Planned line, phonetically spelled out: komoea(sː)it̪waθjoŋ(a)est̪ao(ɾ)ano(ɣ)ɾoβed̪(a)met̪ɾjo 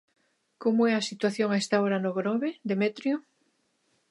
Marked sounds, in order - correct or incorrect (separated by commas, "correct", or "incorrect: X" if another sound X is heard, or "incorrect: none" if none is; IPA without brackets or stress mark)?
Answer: incorrect: s, correct, correct, correct, incorrect: e